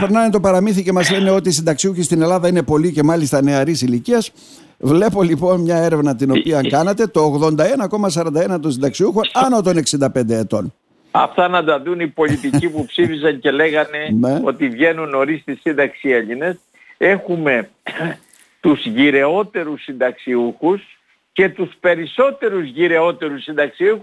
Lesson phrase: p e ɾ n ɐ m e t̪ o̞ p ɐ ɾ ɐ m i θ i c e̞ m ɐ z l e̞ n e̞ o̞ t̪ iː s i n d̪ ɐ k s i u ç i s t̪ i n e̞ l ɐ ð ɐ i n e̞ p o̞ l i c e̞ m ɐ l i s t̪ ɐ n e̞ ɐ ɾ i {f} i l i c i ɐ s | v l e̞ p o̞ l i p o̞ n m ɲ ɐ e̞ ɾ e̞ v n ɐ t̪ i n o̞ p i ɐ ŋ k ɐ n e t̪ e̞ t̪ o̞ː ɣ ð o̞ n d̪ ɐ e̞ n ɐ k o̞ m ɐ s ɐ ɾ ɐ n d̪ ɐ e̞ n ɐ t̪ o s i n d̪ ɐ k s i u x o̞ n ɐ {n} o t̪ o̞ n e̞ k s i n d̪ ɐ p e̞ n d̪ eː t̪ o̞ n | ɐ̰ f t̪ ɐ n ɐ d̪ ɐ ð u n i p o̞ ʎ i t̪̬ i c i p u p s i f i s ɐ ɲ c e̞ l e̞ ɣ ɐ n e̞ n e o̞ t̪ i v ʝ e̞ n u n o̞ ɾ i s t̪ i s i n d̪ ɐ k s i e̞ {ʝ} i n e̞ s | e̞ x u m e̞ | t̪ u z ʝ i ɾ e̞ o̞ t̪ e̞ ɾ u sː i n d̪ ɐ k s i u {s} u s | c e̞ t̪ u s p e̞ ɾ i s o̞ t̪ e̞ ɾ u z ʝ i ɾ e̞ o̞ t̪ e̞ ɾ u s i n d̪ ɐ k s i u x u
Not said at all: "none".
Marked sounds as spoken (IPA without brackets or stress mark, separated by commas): s, n, ʎ, x